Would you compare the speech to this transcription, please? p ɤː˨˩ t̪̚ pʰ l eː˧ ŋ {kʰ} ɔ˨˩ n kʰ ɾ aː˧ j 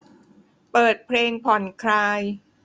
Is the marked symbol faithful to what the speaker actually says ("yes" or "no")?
no